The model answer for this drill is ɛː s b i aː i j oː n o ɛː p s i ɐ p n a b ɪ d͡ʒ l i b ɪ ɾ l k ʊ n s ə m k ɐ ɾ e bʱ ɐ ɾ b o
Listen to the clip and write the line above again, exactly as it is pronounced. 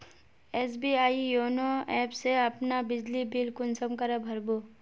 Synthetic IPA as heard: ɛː s b i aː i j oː n o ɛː p s e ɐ p n a b ɪ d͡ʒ l i b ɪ l k ʊ n s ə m k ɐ ɾ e bʱ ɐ ɾ b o

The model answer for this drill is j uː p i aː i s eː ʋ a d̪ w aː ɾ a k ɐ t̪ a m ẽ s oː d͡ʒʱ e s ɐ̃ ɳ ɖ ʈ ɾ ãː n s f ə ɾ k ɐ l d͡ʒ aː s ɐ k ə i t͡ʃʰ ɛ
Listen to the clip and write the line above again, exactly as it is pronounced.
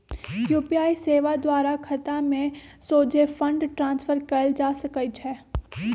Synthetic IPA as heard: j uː p i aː i s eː ʋ a d̪ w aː ɾ a kʰ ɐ t̪ a m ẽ s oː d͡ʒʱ e f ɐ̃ ɳ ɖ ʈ ɾ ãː n s f ə ɾ k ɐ l d͡ʒ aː s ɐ k ə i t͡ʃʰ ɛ

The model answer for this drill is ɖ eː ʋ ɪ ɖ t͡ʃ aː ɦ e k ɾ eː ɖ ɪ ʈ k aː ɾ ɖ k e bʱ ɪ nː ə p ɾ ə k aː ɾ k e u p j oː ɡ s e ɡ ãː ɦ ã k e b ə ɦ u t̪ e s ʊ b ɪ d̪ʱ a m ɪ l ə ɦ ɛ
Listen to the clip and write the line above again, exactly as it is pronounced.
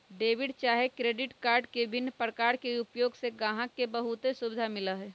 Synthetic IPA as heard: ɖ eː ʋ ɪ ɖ t͡ʃ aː ɦ e k ɾ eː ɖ ɪ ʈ k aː ɾ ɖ k e bʱ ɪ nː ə p ɾ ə k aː ɾ k e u p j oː ɡ s e ɡ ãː ɦ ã k e b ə ɦ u t̪ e s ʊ b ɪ d̪ʱ a m ɪ l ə ɦ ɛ

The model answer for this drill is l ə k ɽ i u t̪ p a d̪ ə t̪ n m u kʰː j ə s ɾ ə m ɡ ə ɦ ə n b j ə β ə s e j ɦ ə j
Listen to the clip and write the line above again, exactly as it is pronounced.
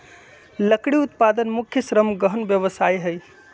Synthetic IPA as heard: l ə k ɽ i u t̪ p a d̪ ə n m u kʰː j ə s ɾ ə m ɡ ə ɦ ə n b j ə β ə s a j ɦ ə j

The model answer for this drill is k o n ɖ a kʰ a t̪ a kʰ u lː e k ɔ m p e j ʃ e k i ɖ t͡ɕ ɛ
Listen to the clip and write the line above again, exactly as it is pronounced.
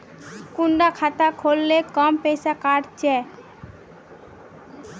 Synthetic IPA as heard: k u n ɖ a kʰ a t̪ a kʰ o lː e k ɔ m p e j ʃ a k a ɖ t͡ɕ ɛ

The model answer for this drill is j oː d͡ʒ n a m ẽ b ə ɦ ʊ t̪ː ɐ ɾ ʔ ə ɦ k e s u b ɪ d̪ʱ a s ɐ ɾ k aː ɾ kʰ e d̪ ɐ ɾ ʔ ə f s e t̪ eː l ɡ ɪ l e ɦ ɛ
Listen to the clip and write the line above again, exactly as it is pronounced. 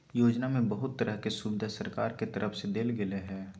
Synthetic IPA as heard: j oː d͡ʒ n a m ẽ b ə ɦ ʊ t̪ː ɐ ɾ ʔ ə ɦ k e s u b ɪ d̪ʱ a s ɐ ɾ k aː ɾ k e t̪ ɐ ɾ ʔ ə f s e d̪ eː l ɡ ɪ l e ɦ ɛː

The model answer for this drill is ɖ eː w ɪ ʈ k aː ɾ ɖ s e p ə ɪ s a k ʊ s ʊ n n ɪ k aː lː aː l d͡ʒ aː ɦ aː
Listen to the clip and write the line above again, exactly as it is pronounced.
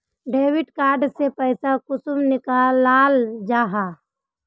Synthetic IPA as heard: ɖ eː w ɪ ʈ k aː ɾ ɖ s e p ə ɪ s a k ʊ s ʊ m n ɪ k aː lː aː l d͡ʒ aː ɦ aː

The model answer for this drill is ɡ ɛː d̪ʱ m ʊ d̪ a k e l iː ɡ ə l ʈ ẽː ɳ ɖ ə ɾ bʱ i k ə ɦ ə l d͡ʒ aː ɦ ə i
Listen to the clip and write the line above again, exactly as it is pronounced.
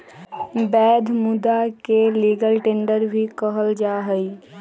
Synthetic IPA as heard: b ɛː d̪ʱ m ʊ d̪ a k e l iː ɡ ə l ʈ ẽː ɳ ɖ ə ɾ bʱ i k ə ɦ ə l d͡ʒ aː ɦ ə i

